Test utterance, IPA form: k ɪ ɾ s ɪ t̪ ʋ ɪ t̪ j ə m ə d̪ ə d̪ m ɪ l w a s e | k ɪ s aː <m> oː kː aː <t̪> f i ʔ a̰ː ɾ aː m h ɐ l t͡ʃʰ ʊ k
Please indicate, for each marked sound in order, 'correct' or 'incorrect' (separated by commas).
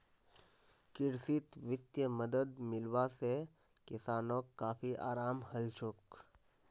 incorrect, incorrect